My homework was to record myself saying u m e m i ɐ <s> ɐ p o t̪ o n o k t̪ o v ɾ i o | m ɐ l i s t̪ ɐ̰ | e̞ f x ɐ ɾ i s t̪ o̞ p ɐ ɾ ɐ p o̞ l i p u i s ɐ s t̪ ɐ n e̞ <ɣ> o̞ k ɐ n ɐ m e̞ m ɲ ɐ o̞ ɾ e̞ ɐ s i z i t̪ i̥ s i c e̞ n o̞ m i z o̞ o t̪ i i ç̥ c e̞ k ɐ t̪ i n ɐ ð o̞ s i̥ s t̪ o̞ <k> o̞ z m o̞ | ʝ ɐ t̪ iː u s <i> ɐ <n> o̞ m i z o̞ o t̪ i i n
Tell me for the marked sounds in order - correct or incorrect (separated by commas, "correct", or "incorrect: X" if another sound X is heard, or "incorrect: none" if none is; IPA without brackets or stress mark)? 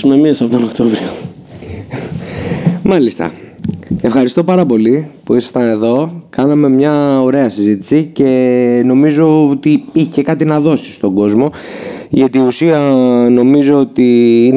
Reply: correct, incorrect: ð, incorrect: ɡ, correct, correct